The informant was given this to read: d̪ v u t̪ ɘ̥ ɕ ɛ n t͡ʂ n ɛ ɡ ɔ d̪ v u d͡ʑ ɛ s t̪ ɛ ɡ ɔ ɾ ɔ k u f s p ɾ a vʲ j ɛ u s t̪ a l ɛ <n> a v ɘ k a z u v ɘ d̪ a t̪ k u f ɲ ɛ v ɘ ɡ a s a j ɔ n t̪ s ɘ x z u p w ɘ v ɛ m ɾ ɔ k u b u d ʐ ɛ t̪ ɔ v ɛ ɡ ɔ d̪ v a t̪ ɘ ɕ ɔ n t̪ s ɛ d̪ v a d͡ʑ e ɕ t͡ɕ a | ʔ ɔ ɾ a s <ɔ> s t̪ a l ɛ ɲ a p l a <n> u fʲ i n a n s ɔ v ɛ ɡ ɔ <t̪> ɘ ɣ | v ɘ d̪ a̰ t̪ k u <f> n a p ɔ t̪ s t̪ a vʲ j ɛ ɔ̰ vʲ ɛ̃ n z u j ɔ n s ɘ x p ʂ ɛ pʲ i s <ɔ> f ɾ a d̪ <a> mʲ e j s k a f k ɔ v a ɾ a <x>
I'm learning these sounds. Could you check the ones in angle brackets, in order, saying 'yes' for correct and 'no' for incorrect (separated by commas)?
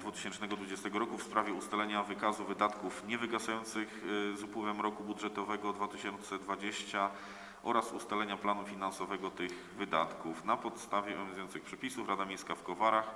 no, no, yes, yes, yes, no, yes, yes